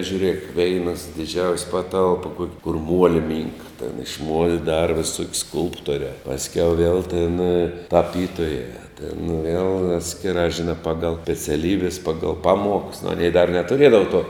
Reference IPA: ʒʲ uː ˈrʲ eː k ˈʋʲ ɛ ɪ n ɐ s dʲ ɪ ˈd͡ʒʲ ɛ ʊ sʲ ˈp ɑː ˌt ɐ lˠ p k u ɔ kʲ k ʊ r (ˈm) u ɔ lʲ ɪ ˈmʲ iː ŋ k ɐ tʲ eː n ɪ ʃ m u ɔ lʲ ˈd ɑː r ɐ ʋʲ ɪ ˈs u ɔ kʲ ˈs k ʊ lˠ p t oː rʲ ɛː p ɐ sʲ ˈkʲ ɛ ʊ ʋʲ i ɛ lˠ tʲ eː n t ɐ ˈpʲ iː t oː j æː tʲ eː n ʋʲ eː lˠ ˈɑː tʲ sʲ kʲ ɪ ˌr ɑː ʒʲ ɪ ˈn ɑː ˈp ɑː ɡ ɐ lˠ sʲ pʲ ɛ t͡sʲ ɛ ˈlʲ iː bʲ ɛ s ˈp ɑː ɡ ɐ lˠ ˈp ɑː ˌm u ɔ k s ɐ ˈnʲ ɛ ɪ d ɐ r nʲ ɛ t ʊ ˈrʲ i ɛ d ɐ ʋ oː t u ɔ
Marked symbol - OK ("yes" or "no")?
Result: yes